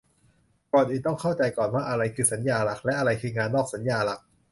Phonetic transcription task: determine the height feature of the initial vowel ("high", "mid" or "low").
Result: mid